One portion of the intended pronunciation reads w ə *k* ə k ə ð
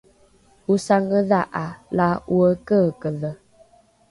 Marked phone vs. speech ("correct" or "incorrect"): correct